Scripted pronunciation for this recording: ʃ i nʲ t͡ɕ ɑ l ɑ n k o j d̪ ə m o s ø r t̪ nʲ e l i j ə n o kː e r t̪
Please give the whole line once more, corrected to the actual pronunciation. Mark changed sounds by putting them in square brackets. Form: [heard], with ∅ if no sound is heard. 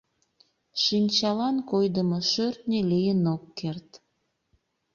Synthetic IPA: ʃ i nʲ t͡ɕ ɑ l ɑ n k o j d̪ ə m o [ʃ] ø r t̪ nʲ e l i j ə n o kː e r t̪